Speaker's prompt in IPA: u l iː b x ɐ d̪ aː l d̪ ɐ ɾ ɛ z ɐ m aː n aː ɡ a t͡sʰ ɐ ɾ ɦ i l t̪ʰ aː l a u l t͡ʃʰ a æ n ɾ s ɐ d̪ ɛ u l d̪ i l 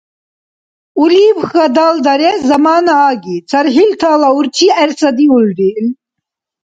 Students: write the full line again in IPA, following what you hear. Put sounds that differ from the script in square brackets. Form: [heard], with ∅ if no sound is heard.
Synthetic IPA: u l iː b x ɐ d̪ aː l d̪ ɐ ɾ ɛ z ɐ m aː n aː ɡ [i] t͡sʰ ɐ ɾ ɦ i l t̪ʰ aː l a u [ɾ] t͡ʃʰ [i] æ [∅] ɾ s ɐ d̪ [i] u l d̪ i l

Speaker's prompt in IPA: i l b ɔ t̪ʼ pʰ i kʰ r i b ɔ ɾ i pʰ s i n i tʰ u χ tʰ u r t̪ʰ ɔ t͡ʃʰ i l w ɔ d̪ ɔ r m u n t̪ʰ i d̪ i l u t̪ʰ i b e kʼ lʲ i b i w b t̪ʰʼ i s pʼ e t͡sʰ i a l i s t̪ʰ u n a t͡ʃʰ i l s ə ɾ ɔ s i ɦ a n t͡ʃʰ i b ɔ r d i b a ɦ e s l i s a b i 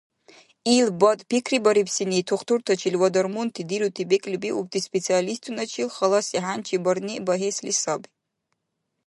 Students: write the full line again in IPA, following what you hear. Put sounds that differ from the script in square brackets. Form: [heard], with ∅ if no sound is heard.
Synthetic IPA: i l b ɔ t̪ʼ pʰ i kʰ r i b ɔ ɾ i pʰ s i n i tʰ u χ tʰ u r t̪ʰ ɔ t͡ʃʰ i l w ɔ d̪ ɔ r m u n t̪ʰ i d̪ i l u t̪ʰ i b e kʼ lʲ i b i [u] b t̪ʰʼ i s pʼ e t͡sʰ i a l i s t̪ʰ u n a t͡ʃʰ i l [χ] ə [l] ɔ s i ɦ a n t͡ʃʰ i b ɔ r [n] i b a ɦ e s l i s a b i

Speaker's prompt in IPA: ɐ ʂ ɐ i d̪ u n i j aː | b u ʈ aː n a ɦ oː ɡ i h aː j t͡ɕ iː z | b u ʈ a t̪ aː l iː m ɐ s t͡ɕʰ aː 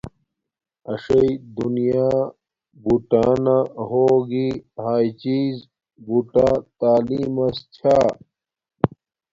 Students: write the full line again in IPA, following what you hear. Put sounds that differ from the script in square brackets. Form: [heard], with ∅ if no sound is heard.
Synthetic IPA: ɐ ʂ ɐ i d̪ u n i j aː | b u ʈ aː n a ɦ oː ɡ i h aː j t͡ɕ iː z | b u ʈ a t̪ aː l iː m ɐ s t͡ɕʰ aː

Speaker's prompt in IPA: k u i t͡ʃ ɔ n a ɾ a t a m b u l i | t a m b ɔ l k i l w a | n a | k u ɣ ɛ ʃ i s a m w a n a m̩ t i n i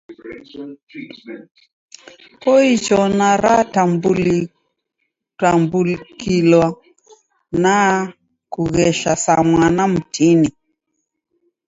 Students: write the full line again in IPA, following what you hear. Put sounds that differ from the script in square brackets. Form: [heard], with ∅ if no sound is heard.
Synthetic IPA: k [ɔ] i t͡ʃ ɔ n a ɾ a t a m b u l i | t a m b [u] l k i l w a | n a | k u ɣ ɛ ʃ [a] s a m w a n a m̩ t i n i

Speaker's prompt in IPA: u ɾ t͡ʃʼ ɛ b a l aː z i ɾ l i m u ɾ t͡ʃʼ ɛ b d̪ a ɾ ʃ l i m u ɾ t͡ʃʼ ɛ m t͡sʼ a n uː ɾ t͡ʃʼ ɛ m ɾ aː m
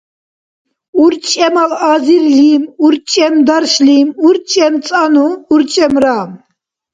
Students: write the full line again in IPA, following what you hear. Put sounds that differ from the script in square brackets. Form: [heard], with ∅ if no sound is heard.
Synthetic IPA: u ɾ t͡ʃʼ ɛ [m] a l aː z i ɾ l i m u ɾ t͡ʃʼ ɛ [m] d̪ a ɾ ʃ l i m u ɾ t͡ʃʼ ɛ m t͡sʼ a n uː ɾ t͡ʃʼ ɛ m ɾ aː m

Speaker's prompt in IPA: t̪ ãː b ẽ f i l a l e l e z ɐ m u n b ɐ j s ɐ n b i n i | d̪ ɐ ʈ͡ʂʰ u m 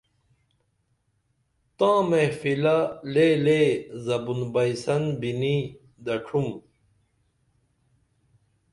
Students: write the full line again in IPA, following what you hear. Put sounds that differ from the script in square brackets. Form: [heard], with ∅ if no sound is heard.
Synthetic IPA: t̪ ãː [m] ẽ f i l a l e l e z ɐ [b] u n b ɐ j s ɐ n b i n i | d̪ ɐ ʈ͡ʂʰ u m

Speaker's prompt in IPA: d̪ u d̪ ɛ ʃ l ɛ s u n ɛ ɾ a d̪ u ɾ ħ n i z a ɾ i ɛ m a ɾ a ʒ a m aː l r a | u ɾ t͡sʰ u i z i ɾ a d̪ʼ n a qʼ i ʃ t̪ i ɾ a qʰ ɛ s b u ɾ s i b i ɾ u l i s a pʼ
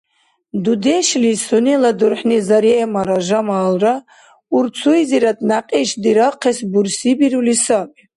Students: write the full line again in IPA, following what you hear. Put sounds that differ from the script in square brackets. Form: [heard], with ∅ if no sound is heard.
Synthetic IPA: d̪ u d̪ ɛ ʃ l [i] s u n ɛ [l] a d̪ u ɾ ħ n i z a ɾ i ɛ m a ɾ a ʒ a m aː l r a | u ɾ t͡sʰ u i z i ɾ a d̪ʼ n a qʼ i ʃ [d̪] i ɾ a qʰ ɛ s b u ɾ s i b i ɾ u l i s a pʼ

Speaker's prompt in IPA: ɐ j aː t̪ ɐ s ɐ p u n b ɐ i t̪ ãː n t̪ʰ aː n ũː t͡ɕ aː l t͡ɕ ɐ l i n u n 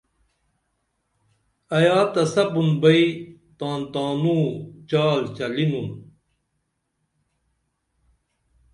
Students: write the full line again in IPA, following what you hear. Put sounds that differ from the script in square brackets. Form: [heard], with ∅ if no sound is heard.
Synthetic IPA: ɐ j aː t̪ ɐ s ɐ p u n b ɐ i t̪ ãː n [t̪] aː n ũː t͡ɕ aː l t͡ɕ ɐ l i n u n

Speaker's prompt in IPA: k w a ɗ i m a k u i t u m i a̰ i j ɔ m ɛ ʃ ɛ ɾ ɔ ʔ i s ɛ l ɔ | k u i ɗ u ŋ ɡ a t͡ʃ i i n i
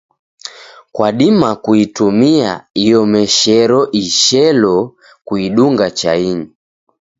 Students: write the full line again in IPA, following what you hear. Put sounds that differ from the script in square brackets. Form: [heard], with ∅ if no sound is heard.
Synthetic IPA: k w a ɗ i m a k u i t u m i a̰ i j ɔ m ɛ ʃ ɛ ɾ ɔ ʔ i [ʃ] ɛ l ɔ | k u i ɗ u ŋ ɡ a t͡ʃ [a] i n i

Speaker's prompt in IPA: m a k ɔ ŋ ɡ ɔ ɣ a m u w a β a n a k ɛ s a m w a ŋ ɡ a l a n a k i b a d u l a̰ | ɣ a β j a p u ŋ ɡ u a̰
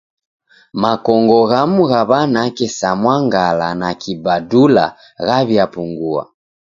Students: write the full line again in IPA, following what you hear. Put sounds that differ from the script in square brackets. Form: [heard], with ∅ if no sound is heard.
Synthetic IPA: m a k ɔ ŋ ɡ ɔ ɣ a m u [ɣ] a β a n a k ɛ s a m w a ŋ ɡ a l a n a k i b a d u l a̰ | ɣ a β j a p u ŋ ɡ u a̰

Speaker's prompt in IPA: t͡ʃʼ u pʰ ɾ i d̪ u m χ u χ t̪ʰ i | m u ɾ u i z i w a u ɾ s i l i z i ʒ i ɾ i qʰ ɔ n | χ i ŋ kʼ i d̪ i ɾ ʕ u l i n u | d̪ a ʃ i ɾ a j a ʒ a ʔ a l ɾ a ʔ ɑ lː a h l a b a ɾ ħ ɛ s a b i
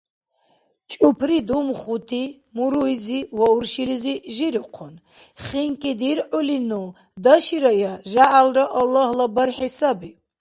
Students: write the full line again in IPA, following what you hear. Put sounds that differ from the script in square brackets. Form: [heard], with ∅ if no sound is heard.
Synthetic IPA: t͡ʃʼ u pʰ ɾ i d̪ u m χ u [∅] t̪ʰ i | m u ɾ u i z i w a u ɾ [ʃ] i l i z i ʒ i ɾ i qʰ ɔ n | χ i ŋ kʼ i d̪ i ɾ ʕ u l i n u | d̪ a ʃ i ɾ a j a ʒ a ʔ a l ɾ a ʔ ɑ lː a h l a b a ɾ ħ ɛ s a b i

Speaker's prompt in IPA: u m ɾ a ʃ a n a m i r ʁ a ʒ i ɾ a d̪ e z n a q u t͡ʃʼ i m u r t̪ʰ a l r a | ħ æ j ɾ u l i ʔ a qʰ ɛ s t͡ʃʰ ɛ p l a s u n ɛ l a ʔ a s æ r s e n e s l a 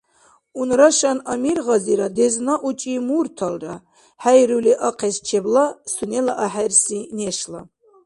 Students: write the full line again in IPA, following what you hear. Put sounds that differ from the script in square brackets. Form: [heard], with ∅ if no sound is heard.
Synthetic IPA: u [n] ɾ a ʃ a n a m i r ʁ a [z] i ɾ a d̪ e z n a [ʔ] u t͡ʃʼ i m u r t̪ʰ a l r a | ħ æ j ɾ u l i ʔ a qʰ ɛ s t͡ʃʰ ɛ [b] l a s u n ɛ l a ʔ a [ħ] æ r s [i] n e [ʃ] l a

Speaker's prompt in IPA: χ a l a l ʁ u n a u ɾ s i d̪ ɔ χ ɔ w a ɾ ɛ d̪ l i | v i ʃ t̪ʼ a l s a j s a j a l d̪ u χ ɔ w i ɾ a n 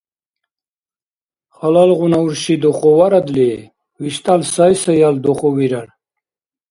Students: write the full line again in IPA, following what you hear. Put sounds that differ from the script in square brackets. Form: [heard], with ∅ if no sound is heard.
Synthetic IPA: χ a l a l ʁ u n a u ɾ [ʃ] i d̪ ɔ χ ɔ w a ɾ [a] d̪ l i | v i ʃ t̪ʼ a l s a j s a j a l d̪ [ɔ] χ ɔ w i ɾ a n

